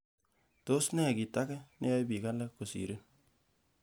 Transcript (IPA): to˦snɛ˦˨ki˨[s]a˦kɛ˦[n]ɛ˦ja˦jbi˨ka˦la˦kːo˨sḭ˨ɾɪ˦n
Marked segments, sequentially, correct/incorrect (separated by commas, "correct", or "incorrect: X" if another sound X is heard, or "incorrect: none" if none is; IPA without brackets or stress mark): incorrect: t, correct